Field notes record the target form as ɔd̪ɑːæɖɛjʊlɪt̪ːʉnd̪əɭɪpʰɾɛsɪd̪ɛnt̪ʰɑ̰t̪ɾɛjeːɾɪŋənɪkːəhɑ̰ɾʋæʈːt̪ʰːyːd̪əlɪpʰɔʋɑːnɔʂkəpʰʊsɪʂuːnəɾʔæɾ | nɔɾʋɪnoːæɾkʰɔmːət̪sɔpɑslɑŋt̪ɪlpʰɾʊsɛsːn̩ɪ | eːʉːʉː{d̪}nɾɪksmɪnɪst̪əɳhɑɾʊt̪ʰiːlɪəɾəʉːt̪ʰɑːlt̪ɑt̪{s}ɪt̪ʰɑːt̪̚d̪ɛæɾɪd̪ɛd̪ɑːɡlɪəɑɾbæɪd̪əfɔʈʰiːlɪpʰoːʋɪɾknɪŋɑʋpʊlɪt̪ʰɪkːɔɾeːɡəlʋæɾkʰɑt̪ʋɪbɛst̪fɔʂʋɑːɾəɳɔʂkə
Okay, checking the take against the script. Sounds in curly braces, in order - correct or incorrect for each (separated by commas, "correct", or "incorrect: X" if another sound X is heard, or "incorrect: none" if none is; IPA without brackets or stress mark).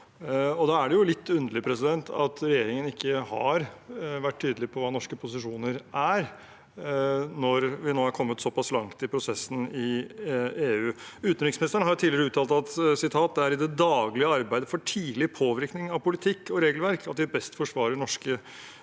incorrect: t̪, correct